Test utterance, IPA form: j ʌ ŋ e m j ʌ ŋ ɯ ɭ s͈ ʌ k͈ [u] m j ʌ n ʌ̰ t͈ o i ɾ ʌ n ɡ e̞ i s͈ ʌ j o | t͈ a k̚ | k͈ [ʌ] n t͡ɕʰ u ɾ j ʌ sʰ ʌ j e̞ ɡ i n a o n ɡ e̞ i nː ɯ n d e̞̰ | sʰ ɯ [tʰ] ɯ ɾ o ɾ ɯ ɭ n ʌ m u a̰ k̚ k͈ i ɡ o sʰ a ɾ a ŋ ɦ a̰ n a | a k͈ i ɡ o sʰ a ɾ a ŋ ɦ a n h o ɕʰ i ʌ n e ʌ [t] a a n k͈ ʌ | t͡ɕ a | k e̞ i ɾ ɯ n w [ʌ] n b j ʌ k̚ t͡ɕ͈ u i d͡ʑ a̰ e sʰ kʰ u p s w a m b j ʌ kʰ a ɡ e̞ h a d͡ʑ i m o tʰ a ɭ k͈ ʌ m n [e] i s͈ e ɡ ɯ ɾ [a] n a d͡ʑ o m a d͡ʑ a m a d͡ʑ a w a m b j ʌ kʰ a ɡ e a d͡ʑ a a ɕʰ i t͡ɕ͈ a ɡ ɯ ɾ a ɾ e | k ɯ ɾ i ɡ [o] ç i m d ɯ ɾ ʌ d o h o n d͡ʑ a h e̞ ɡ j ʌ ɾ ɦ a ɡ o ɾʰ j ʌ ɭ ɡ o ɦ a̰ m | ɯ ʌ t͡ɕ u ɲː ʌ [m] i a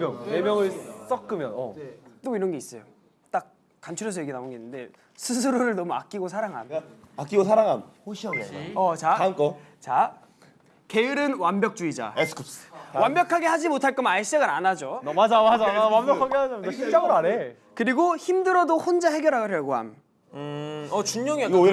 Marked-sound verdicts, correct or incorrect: incorrect: ɯ, incorrect: a, incorrect: sʰ, incorrect: t͡ɕ, incorrect: a, incorrect: a, correct, correct, incorrect: ŋ

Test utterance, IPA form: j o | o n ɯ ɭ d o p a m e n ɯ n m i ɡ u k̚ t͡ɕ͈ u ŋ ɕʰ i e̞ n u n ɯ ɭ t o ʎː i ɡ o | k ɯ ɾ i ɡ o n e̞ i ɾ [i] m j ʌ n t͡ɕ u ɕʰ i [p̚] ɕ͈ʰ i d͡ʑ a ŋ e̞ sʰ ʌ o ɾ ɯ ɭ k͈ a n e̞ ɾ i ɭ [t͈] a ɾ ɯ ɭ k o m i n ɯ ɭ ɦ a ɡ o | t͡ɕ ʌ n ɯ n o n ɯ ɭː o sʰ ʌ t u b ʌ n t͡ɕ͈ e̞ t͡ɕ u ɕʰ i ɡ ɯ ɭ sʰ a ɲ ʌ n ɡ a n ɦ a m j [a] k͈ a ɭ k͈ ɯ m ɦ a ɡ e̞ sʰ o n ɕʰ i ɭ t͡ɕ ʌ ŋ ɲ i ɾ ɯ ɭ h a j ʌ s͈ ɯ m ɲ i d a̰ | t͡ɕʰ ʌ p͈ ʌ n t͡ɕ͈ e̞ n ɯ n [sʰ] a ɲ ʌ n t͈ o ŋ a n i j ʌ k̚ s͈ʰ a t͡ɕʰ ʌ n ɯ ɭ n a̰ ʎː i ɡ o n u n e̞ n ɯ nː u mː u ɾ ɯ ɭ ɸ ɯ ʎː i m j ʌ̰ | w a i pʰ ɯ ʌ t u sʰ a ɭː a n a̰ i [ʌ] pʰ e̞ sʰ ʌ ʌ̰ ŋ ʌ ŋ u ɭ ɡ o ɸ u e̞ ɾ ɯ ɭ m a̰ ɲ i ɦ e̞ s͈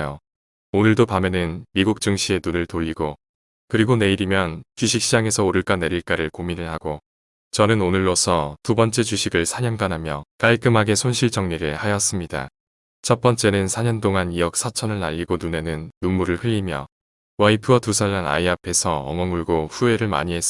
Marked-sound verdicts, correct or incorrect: correct, incorrect: k̚, incorrect: k͈, incorrect: ʌ, correct, incorrect: a

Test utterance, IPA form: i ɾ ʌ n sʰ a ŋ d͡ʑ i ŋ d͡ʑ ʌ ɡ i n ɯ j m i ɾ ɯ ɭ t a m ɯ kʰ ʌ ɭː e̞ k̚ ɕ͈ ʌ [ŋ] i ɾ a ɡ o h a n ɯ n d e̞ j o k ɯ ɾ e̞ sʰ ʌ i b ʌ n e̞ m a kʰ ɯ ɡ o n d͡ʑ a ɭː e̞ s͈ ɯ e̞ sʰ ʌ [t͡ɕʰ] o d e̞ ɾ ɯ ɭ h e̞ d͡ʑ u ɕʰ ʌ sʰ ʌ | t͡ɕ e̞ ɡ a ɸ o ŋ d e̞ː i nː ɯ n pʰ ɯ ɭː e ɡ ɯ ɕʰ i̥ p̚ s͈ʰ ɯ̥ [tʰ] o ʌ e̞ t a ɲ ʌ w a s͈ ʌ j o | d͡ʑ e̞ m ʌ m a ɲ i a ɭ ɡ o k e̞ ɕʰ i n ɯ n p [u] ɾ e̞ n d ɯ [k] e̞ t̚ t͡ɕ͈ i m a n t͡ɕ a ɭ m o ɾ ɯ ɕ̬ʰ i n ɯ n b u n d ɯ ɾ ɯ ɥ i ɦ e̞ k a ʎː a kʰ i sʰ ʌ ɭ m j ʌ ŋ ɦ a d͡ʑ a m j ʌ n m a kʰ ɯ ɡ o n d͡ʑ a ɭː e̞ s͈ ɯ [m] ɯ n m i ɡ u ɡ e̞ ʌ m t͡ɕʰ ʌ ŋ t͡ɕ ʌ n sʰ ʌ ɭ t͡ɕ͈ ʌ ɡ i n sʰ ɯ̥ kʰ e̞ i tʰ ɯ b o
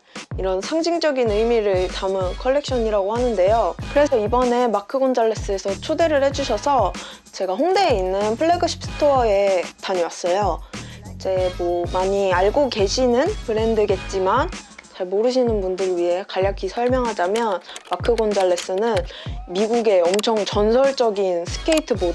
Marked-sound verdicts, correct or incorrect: incorrect: ɲ, correct, correct, incorrect: ɯ, incorrect: ɡ, incorrect: n

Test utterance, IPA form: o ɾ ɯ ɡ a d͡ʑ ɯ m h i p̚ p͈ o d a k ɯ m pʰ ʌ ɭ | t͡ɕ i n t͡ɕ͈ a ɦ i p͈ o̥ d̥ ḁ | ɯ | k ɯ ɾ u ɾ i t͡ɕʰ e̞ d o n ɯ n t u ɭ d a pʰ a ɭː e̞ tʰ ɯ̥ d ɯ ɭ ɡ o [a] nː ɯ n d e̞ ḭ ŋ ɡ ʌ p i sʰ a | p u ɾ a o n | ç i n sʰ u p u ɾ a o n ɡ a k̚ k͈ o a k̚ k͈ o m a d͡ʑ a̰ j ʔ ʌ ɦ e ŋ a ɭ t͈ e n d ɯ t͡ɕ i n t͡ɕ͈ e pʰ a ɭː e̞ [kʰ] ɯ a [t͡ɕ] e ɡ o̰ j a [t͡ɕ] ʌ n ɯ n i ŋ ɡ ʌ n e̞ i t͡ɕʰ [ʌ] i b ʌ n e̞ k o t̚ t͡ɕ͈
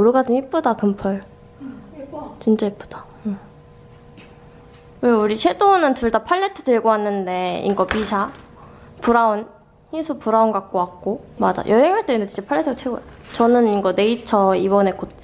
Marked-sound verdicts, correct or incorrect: correct, incorrect: tʰ, incorrect: t͡ɕʰ, correct, correct

